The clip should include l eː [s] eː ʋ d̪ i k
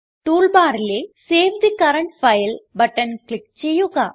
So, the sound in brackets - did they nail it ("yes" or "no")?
yes